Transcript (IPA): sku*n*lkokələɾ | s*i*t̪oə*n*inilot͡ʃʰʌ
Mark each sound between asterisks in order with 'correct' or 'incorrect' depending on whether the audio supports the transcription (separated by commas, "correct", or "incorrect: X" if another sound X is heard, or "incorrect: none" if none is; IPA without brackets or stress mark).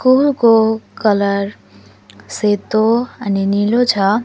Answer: incorrect: none, incorrect: e, correct